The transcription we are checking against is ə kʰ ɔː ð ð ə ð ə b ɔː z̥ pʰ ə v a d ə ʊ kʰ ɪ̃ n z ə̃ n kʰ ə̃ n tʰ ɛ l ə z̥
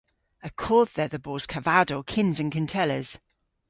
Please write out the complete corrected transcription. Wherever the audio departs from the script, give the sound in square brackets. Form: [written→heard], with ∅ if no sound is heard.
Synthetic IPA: ə kʰ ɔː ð ð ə ð ə b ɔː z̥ [pʰ→kʰ] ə v a d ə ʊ kʰ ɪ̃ n z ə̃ n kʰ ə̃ n tʰ ɛ l ə z̥